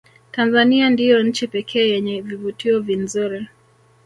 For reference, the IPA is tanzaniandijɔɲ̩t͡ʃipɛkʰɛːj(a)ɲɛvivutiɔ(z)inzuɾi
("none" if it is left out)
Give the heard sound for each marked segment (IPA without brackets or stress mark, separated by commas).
ɛ, v